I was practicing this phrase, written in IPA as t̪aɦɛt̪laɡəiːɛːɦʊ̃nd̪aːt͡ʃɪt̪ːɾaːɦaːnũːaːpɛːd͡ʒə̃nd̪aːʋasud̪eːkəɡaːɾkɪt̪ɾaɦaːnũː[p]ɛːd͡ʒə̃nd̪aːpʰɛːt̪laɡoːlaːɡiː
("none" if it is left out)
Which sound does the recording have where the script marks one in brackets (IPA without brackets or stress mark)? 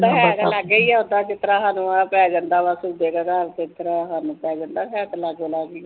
p